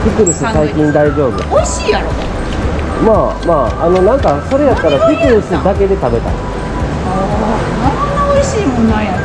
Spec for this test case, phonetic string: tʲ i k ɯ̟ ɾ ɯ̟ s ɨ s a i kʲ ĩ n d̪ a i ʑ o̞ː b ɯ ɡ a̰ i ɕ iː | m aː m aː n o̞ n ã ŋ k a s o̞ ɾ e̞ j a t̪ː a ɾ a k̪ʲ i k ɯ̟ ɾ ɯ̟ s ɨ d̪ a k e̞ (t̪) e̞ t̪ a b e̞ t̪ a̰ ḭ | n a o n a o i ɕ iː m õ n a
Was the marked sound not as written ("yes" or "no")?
yes